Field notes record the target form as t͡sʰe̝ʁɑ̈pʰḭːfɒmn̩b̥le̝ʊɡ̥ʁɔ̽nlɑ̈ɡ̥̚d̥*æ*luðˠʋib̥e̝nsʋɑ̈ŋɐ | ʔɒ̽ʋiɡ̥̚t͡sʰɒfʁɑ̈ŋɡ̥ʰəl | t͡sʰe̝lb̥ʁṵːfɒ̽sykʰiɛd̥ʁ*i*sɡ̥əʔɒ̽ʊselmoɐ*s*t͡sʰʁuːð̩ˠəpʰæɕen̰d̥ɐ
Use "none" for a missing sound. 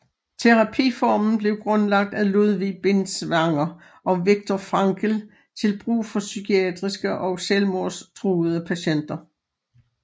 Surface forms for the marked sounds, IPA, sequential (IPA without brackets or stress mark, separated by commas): æ, i, s